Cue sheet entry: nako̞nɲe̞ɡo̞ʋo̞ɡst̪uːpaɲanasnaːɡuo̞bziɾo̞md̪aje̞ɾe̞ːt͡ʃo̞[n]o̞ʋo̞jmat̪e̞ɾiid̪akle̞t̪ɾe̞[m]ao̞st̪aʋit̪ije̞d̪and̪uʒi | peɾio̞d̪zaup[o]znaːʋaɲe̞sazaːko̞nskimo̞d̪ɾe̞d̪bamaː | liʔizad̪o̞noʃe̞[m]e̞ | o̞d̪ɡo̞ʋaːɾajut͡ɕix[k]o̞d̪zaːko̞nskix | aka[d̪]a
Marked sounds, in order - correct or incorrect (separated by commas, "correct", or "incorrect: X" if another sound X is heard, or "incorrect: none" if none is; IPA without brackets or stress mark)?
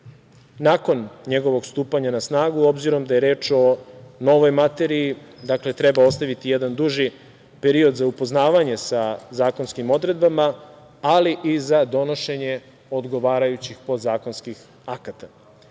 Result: correct, incorrect: b, correct, incorrect: ɲ, incorrect: p, incorrect: t̪